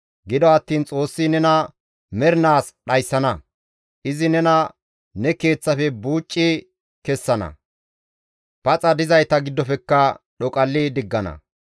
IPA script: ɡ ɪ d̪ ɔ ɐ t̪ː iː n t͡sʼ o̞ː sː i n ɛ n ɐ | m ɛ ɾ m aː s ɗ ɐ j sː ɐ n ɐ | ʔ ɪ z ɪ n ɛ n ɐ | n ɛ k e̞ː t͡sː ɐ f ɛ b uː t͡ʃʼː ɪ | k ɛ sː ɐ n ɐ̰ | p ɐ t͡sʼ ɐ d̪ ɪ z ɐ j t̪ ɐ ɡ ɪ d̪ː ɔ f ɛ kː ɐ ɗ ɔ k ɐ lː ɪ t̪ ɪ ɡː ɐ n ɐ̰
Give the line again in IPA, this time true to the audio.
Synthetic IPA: ɡ ɪ d̪ ɔ ɐ t̪ː iː n t͡sʼ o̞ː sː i n ɛ n ɐ | m ɛ ɾ n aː s ɗ ɐ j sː ɐ n ɐ | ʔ ɪ z ɪ n ɛ n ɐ | n ɛ k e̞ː t͡sː ɐ f ɛ b uː t͡ʃʼː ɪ | k ɛ sː ɐ n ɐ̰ | p ɐ t͡sʼ ɐ d̪ ɪ z ɐ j t̪ ɐ ɡ ɪ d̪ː ɔ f ɛ kː ɐ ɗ ɔ kʼ ɐ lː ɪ d̪ ɪ ɡː ɐ n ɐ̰

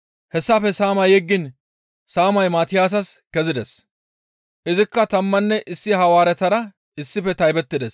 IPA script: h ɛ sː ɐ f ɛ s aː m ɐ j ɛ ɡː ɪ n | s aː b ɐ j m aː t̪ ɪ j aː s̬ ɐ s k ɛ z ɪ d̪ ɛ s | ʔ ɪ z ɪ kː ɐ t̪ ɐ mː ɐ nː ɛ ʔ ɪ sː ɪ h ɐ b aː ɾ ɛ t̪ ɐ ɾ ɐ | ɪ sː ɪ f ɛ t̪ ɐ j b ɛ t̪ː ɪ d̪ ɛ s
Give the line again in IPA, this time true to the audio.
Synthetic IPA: h ɛ sː ɐ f ɛ s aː m ɐ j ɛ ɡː ɪ n | s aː m ɐ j m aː t̪ ɪ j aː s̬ ɐ s k ɛ z ɪ d̪ ɛ s | ʔ ɪ z ɪ kː ɐ t̪ ɐ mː ɐ nː ɛ ʔ ɪ sː ɪ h ɐ w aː ɾ ɛ t̪ ɐ ɾ ɐ | ɪ sː ɪ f ɛ t̪ ɐ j b ɛ t̪ː ɪ d̪ ɛ s

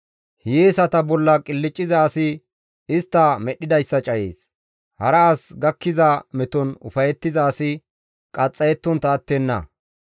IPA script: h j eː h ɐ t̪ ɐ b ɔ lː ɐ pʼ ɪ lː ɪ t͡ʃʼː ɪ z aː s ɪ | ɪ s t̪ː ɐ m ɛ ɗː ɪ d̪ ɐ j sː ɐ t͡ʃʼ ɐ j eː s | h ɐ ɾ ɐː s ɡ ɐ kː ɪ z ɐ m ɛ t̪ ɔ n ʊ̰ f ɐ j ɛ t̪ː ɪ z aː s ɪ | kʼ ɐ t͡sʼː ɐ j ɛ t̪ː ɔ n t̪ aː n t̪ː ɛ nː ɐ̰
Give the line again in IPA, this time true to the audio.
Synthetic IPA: h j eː s ɐ t̪ ɐ b ɔ lː ɐ kʼ ɪ lː ɪ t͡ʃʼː ɪ z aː s ɪ | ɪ s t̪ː ɐ m ɛ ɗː ɪ d̪ ɐ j sː ɐ t͡ʃʼ ɐ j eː s | h ɐ ɾ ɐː s ɡ ɐ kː ɪ z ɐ m ɛ t̪ ɔ n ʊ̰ f ɐ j ɛ t̪ː ɪ z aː s ɪ | kʼ ɐ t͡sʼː ɐ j ɛ t̪ː ɔ n t̪ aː t̪ː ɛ nː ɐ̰

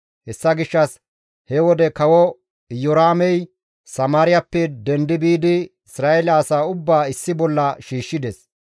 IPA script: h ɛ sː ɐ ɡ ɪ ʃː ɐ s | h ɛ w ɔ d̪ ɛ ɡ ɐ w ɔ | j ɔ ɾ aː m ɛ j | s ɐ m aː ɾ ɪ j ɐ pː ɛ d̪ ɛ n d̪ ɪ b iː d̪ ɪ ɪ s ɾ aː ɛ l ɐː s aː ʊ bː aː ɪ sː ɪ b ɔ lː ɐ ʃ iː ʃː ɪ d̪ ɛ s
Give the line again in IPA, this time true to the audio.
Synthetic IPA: h ɛ sː ɐ ɡ ɪ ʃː ɐ s | h ɛ w ɔ d̪ ɛ k ɐ w ɔ | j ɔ ɾ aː m ɛ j | s ɐ m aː ɾ ɪ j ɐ pː ɛ d̪ ɛ n d̪ ɪ b iː d̪ ɪ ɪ s ɾ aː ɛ l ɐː s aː ʊ bː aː ɪ sː ɪ b ɔ lː ɐ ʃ iː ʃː ɪ d̪ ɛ s

